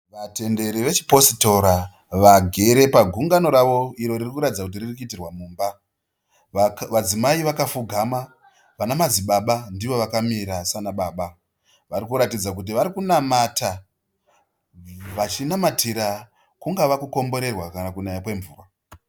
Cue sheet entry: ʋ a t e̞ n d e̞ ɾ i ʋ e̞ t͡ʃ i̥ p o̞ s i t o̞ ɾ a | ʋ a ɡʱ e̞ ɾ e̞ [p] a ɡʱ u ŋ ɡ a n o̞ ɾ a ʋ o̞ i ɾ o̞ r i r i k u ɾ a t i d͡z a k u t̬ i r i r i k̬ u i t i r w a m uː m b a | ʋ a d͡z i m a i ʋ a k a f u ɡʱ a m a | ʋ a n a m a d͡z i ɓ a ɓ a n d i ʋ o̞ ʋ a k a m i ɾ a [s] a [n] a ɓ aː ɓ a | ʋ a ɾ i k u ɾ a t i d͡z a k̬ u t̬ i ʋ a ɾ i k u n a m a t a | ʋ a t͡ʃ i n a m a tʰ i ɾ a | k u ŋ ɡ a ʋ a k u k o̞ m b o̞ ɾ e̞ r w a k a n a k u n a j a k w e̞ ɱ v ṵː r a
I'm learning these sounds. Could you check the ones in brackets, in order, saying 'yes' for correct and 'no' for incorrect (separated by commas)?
yes, yes, yes